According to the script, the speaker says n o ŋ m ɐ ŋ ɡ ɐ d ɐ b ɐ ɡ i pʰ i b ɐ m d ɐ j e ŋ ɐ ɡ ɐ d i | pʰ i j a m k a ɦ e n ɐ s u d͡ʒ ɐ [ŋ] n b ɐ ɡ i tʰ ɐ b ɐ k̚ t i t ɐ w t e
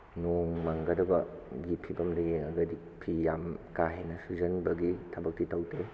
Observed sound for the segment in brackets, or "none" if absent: none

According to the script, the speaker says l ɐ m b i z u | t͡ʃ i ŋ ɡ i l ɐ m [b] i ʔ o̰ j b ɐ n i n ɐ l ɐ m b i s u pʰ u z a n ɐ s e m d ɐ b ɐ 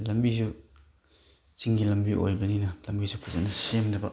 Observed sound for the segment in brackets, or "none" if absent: b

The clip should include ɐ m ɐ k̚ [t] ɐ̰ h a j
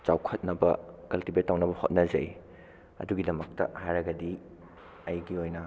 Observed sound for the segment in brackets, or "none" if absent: t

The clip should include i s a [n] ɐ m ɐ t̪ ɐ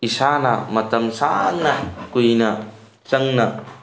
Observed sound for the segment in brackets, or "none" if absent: n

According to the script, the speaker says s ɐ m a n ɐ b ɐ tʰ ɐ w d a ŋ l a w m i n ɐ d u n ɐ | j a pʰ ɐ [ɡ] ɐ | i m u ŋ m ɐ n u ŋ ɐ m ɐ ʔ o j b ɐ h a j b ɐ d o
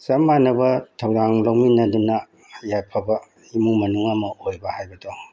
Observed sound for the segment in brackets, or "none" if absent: b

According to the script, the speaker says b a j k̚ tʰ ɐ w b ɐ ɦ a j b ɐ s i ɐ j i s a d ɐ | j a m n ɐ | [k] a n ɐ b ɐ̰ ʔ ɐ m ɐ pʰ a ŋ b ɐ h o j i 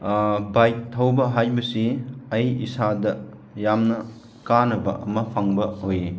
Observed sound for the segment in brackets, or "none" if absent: k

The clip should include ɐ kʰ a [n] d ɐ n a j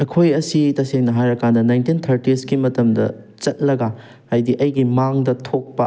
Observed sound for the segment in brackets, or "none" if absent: n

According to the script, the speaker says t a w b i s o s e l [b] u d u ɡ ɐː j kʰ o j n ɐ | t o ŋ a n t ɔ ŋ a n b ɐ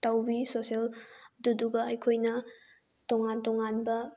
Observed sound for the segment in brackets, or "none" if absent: d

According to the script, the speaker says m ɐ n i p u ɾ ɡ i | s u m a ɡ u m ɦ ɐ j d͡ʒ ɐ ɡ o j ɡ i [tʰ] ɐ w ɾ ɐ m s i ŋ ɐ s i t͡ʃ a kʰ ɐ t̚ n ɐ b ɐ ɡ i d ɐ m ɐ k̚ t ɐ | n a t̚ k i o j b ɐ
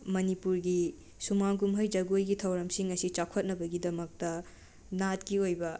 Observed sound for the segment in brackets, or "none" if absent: tʰ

